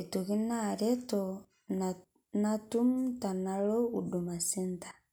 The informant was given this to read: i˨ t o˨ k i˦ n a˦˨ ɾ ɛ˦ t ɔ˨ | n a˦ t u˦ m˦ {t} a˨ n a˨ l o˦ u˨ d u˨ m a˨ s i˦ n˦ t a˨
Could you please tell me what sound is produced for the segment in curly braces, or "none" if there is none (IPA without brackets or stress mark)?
t